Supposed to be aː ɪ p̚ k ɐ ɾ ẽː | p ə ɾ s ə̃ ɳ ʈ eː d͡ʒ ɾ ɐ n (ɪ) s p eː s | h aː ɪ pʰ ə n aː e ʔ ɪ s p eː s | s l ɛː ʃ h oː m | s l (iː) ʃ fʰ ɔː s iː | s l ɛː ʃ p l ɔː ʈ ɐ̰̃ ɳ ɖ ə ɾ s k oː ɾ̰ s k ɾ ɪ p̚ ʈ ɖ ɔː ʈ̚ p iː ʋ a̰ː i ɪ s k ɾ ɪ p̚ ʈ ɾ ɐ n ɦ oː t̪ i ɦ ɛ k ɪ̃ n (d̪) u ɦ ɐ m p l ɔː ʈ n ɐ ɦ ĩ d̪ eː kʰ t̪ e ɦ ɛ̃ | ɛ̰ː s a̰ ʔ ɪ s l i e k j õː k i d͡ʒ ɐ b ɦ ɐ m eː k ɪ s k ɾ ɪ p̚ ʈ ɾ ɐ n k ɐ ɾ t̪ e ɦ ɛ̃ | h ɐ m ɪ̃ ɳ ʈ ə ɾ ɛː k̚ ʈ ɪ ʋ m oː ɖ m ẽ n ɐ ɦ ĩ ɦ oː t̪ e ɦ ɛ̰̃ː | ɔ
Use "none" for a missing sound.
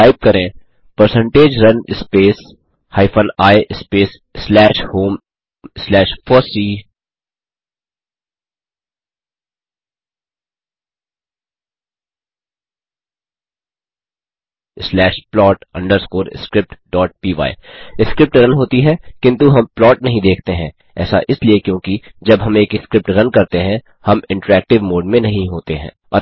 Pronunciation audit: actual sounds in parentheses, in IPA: ɪ, ɛː, t̪

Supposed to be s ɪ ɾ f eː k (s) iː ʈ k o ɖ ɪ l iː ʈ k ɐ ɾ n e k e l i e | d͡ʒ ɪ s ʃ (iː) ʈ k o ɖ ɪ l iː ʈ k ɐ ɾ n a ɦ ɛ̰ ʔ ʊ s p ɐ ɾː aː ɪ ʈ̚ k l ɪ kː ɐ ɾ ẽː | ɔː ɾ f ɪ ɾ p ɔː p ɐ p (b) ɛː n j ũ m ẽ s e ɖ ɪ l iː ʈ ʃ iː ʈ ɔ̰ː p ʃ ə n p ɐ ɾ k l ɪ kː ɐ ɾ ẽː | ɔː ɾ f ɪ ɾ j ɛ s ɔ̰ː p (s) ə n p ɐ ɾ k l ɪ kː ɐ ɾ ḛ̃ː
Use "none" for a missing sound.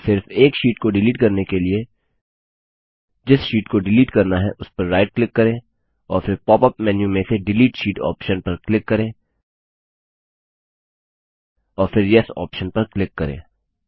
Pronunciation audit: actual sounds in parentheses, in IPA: ʃ, iː, m, ʃ

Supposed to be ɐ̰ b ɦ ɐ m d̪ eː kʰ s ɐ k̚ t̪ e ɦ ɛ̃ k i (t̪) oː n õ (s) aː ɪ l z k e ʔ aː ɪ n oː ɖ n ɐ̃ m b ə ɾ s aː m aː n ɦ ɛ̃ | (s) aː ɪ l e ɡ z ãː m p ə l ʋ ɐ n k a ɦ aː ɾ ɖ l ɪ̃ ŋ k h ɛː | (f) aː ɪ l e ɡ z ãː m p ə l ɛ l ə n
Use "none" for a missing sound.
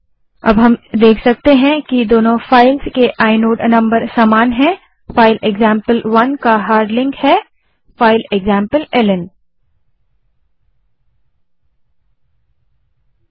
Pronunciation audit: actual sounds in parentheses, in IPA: d̪, f, f, f

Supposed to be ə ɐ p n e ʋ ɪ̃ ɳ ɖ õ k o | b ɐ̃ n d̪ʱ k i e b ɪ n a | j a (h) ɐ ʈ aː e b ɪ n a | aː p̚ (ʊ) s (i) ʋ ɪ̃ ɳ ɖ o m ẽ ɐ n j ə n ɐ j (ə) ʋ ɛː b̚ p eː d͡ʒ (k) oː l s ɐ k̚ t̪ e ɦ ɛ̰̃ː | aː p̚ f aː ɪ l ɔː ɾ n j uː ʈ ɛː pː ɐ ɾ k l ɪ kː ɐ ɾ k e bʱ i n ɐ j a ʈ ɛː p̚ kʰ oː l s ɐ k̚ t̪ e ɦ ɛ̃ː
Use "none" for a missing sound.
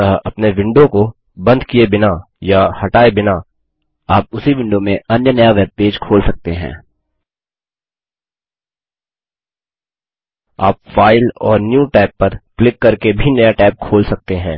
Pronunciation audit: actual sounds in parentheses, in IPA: h, ʊ, i, a, kʰ

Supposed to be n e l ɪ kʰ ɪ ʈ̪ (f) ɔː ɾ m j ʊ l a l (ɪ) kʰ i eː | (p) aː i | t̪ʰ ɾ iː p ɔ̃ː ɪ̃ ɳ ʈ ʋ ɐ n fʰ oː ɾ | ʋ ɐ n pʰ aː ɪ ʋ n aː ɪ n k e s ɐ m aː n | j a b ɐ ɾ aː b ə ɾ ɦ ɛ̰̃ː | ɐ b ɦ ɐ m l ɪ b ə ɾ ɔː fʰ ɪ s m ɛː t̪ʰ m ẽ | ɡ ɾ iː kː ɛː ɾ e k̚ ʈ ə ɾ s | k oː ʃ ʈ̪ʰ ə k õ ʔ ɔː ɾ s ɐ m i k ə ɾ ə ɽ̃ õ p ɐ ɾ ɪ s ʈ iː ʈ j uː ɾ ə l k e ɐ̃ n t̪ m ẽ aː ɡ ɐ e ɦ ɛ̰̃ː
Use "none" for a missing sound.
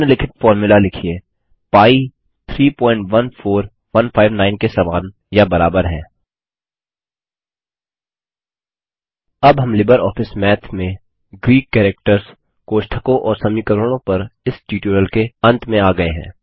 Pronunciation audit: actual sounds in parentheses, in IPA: f, ɪ, p

